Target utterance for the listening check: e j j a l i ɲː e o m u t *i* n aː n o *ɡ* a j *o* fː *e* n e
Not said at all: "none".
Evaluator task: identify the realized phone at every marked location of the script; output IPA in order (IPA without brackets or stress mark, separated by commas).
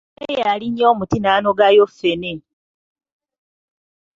i, ɡ, o, e